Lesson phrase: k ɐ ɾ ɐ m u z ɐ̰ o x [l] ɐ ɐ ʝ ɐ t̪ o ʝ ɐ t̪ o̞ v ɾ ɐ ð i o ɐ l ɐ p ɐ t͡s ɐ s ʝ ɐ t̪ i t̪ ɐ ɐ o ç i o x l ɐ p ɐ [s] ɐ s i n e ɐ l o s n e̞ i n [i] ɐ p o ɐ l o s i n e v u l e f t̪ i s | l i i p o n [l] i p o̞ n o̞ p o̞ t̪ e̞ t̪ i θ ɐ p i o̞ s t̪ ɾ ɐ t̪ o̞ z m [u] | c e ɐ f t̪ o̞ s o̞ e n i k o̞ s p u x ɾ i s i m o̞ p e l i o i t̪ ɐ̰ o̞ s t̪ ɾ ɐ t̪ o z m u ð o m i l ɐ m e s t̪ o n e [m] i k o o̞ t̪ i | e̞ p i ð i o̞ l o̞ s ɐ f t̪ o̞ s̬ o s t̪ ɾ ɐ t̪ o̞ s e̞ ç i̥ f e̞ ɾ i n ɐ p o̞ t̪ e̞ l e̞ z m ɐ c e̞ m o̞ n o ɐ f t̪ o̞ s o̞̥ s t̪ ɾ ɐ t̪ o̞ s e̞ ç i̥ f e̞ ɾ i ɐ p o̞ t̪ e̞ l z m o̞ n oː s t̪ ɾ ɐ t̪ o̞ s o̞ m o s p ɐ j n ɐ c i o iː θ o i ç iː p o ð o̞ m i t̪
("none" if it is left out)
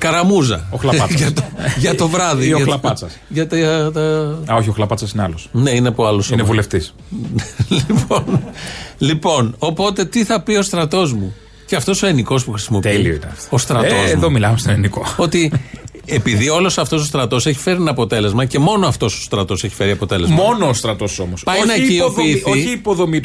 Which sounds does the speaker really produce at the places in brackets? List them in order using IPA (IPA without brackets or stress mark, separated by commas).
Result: l, t͡s, e, l, u, n